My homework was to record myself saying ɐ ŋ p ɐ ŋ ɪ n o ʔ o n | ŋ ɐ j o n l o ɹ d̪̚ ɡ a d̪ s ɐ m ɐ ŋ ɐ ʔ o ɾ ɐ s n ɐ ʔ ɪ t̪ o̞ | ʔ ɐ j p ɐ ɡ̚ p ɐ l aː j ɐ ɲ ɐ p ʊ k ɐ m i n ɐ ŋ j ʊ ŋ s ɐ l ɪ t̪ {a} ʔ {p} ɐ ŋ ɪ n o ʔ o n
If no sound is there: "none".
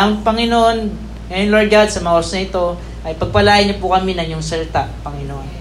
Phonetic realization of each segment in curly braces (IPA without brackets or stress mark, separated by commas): a, p